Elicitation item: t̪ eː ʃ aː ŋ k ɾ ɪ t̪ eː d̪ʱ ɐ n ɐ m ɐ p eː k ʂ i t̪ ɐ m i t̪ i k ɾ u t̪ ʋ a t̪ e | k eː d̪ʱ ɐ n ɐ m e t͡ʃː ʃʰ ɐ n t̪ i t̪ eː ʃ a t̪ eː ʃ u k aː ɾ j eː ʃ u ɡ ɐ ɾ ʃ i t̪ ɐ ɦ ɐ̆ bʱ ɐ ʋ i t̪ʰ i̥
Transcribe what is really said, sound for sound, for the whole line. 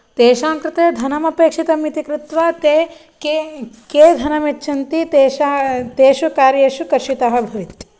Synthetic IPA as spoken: t̪ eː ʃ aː ŋ k ɾ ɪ t̪ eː d̪ʱ ɐ n ɐ m ɐ p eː k ʂ i t̪ ɐ m i t̪ i k ɾ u t̪ ʋ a t̪ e | k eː d̪ʱ ɐ n ɐ m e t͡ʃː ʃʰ ɐ n t̪ i t̪ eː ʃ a t̪ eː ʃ u k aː ɾ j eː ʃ u k ɐ ɾ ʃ i t̪ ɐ ɦ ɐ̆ bʱ ɐ ʋ i t̪ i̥